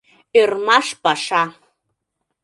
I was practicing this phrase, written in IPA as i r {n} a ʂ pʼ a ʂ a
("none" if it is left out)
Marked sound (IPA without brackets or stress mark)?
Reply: m